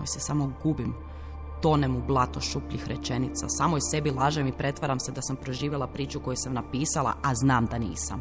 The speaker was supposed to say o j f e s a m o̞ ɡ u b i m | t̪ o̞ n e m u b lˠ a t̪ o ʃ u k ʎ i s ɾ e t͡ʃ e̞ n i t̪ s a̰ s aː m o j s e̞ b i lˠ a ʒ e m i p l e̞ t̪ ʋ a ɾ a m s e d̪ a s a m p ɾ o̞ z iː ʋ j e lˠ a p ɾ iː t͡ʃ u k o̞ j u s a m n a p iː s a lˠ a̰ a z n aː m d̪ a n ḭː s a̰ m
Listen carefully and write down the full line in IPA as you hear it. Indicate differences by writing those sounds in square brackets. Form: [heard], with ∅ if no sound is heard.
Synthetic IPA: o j [s] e s a m o̞ ɡ u b i m | t̪ o̞ n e m u b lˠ a t̪ o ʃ u [p] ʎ i [x] ɾ e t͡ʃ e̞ n i t̪ s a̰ s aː m o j s e̞ b i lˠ a ʒ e m i p [ɾ] e̞ t̪ ʋ a ɾ a m s e d̪ a s a m p ɾ o̞ [ʒ] iː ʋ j e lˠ a p ɾ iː t͡ʃ u k o̞ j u s a m n a p iː s a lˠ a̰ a z n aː m d̪ a n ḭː s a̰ m